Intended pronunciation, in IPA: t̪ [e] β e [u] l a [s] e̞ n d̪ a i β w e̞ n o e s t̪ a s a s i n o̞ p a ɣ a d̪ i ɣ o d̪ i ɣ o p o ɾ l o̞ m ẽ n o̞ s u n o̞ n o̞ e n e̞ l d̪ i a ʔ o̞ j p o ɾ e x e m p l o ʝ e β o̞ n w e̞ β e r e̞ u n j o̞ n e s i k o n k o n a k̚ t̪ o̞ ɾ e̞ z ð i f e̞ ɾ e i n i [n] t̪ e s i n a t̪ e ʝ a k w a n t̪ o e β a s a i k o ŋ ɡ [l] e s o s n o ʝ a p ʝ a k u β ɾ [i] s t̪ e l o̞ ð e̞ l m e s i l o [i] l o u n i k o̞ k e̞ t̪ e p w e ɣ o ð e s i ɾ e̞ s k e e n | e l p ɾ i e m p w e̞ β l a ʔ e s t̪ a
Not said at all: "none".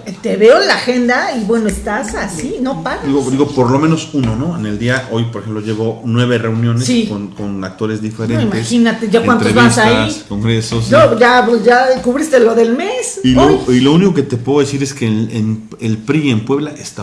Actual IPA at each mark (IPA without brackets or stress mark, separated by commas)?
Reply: e, o, x, m, ɾ, i, i